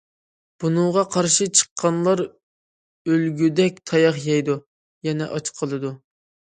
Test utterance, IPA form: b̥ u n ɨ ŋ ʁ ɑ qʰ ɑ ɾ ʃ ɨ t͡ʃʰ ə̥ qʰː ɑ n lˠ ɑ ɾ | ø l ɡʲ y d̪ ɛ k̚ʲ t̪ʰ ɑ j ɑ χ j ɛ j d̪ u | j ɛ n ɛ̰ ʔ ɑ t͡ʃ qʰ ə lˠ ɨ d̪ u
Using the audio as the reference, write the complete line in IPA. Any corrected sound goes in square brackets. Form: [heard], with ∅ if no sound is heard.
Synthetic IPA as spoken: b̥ u n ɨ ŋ ʁ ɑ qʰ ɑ ɾ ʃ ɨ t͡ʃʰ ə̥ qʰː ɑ n lˠ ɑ ɾ | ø l ɡʲ y d̪ ɛ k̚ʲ t̪ʰ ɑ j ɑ χ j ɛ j d̪ u | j ɛ n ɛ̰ ʔ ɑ t͡ʃ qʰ ə lˠ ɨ d̪ u